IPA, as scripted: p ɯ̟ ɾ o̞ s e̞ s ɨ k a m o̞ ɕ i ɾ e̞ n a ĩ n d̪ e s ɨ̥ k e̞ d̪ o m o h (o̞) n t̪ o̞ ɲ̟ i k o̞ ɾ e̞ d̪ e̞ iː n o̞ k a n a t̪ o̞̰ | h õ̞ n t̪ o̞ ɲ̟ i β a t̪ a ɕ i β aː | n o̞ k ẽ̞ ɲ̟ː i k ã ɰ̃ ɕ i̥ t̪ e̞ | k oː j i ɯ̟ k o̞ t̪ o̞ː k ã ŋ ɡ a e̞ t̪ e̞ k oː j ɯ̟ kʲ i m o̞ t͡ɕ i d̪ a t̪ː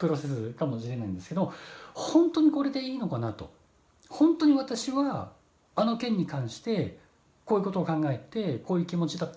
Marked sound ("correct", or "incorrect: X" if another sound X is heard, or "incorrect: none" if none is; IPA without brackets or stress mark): incorrect: õ̞